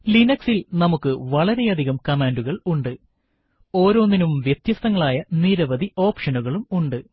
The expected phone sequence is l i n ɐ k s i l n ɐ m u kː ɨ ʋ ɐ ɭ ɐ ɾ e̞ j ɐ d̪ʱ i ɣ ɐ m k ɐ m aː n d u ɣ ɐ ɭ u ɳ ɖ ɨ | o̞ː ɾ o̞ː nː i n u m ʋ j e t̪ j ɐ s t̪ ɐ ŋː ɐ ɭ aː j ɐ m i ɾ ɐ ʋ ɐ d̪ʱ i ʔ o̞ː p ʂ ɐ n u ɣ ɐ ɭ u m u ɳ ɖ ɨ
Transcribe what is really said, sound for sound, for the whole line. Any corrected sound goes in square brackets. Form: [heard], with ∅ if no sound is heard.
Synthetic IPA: l i n ɐ k s i l n ɐ m u kː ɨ ʋ ɐ ɭ ɐ ɾ e̞ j ɐ d̪ʱ i ɣ ɐ m k ɐ m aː n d u ɣ ɐ ɭ u ɳ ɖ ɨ | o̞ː ɾ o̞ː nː i n u m ʋ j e t̪ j ɐ s t̪ ɐ ŋː ɐ ɭ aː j ɐ [n] i ɾ ɐ ʋ ɐ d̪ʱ i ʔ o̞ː p ʂ ɐ n u ɣ ɐ ɭ u m u ɳ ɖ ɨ